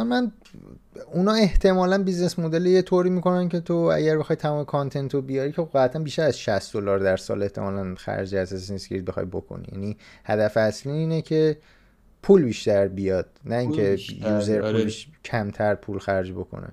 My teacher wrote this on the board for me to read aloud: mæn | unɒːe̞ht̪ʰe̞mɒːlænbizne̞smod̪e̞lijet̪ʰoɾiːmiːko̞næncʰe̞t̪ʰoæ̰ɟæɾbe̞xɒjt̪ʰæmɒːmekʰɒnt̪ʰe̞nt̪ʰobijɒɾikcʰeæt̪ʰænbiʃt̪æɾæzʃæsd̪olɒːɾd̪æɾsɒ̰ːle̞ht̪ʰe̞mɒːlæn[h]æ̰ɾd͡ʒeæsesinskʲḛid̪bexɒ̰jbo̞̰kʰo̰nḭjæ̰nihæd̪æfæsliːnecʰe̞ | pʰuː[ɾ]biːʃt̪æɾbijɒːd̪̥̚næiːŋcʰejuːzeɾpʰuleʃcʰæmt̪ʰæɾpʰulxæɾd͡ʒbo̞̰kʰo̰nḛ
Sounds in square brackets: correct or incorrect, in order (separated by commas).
incorrect, incorrect